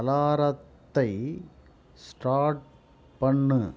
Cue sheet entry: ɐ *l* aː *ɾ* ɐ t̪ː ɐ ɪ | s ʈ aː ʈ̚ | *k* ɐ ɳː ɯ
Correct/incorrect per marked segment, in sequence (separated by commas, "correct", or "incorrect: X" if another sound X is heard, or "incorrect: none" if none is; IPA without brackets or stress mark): correct, correct, incorrect: p